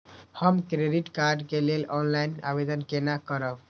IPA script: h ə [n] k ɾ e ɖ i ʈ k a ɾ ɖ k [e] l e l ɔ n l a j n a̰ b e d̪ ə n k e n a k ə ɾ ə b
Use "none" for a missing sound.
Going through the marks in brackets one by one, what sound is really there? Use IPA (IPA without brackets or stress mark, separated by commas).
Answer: m, e